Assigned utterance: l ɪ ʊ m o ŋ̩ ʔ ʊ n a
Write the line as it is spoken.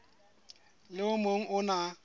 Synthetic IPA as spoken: l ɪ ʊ m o ŋ̩ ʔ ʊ n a

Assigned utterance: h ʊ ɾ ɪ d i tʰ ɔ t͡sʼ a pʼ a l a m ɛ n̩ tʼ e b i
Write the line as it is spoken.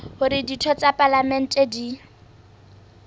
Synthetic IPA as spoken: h ʊ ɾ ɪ d i tʰ ɔ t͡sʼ a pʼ a l a m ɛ n̩ tʼ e d i

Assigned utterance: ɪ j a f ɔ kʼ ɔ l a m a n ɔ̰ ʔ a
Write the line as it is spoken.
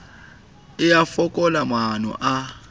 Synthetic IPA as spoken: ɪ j a f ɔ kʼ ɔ l a m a n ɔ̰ ʔ a

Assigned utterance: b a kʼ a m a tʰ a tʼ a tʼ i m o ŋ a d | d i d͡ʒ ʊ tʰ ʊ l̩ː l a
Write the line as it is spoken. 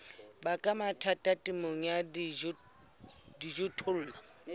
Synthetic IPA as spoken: b a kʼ a m a tʰ a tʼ a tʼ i m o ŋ a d | d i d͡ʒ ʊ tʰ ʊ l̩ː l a

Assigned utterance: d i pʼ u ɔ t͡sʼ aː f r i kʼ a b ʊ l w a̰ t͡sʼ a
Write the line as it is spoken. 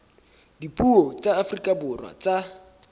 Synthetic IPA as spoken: d i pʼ u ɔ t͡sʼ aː f r i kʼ a b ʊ r w a̰ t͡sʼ a

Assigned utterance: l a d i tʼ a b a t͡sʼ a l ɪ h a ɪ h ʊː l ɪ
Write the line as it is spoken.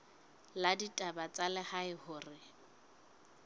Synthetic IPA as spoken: l a d i tʼ a b a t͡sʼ a l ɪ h a ɪ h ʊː r ɪ

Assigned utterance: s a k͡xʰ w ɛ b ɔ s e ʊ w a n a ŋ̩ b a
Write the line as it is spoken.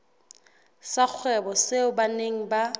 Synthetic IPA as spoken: s a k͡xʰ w ɛ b ɔ s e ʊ b a n e ŋ̩ b a

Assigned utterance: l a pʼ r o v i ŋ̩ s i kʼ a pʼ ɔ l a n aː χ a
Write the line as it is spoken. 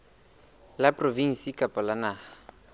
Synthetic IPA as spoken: l a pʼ r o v i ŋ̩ s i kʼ a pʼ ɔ l a n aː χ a

